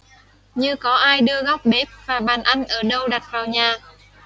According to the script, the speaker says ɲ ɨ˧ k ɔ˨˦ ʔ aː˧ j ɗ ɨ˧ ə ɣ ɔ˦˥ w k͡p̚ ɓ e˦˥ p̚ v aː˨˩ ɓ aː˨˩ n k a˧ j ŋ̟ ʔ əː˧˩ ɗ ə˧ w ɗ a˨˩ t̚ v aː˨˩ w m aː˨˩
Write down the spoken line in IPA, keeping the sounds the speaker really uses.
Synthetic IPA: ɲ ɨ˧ k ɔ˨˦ ʔ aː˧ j ɗ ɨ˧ ə ɣ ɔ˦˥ w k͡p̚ ɓ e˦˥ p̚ v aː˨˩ ɓ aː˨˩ n ʔ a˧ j ŋ̟ ʔ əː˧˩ ɗ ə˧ w ɗ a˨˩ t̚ v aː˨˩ w ɲ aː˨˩